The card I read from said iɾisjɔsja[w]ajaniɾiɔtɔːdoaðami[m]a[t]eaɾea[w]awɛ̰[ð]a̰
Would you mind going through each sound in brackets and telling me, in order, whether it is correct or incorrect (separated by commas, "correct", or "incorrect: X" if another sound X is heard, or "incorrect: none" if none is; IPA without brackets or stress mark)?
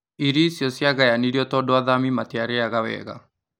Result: incorrect: ɣ, correct, correct, incorrect: ɣ, incorrect: ɣ